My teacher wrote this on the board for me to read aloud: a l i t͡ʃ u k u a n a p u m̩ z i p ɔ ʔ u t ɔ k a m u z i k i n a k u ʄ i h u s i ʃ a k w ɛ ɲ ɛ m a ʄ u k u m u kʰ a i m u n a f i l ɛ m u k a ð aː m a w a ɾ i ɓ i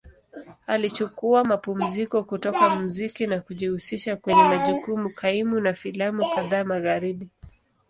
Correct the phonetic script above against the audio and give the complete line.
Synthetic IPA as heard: a l i t͡ʃ u k u a m a p u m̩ z i k ɔ k u t ɔ k a m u z i k i n a k u ʄ i h u s i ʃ a k w ɛ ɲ ɛ m a ʄ u k u m u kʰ a i m u n a f i l a m u k a ð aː m a ɣ a ɾ i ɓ i